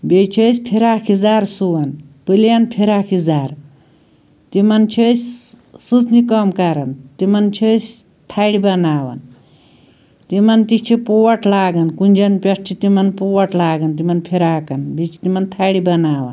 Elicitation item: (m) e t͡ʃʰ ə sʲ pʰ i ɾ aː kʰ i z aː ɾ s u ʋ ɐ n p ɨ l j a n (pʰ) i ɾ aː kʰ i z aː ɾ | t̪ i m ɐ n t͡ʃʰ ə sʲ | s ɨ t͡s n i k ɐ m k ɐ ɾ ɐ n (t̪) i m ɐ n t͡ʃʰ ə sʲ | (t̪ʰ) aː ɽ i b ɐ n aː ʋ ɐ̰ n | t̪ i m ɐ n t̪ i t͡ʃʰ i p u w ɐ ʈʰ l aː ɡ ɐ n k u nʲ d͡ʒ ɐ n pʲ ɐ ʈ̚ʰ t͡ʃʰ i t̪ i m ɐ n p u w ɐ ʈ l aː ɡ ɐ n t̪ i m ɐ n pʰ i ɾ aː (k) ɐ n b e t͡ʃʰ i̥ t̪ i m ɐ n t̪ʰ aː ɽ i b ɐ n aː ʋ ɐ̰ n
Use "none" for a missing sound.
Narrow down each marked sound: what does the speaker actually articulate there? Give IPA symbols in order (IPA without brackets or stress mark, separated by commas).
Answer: b, pʰ, t̪, t̪ʰ, k